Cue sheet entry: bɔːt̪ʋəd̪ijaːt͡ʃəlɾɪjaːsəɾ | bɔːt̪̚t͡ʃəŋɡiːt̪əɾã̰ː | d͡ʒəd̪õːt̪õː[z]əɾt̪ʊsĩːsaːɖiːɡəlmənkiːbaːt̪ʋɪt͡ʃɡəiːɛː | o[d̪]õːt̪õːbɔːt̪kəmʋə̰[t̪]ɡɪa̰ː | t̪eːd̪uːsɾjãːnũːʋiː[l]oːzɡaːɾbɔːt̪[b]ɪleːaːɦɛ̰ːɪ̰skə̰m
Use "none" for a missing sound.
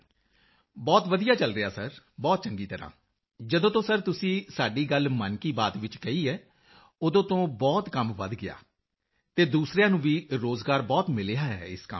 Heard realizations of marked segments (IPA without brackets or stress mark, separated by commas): s, d̪, d̪, ɾ, m